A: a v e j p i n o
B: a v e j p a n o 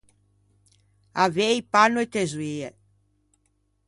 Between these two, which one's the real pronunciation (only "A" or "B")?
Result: B